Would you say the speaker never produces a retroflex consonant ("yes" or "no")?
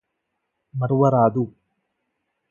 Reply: yes